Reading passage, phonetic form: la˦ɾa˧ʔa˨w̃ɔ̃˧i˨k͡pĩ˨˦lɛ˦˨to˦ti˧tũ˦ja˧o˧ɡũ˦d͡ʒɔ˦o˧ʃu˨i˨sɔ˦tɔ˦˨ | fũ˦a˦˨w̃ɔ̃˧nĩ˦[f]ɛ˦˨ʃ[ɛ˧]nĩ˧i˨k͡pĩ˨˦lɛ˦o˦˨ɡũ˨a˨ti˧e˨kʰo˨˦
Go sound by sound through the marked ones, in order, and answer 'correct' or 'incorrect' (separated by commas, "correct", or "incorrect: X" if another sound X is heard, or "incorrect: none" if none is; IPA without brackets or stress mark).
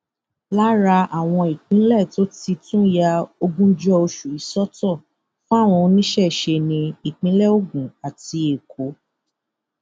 incorrect: ʃ, incorrect: e˧